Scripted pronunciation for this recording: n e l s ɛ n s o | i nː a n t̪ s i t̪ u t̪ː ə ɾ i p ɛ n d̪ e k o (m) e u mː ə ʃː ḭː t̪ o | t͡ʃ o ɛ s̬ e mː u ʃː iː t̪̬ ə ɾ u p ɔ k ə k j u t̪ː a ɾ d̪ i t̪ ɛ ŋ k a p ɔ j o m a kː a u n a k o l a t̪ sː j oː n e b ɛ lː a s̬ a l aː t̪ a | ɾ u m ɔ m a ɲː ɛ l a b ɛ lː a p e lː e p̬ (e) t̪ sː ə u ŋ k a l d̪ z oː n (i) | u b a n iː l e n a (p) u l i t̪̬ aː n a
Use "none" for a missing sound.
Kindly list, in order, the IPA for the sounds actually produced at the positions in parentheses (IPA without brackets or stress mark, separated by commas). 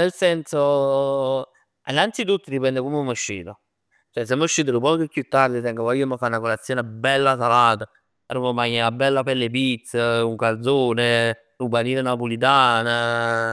m, i, e, p